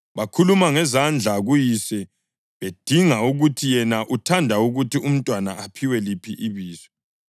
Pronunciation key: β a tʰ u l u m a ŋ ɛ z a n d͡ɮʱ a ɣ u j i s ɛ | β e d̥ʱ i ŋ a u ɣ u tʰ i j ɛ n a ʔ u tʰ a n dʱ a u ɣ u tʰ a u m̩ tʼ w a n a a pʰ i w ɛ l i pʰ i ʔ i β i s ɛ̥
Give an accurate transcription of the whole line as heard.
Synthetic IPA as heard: β a kʰ u l u m a ŋ ɛ z a n d͡ɮʱ a ɣ u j i s ɛ | β e d̥ʱ i ŋ a u ɣ u tʰ i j ɛ n a ʔ u tʰ a n dʱ a u ɣ u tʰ i u m̩ tʼ w a n a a pʰ i w ɛ l i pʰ i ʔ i β iː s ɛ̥